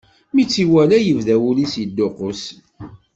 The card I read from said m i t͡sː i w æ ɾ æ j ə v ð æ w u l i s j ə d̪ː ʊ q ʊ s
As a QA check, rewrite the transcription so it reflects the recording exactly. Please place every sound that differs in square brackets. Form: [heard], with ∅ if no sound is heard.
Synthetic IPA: m i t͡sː i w æ [l] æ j ə v ð æ w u l i s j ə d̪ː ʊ q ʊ s